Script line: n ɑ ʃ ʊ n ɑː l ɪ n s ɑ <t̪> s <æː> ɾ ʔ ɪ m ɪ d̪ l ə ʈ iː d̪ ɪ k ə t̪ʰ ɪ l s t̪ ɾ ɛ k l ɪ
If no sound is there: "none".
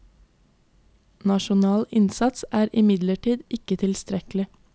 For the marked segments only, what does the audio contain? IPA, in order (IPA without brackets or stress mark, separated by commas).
t̪, æː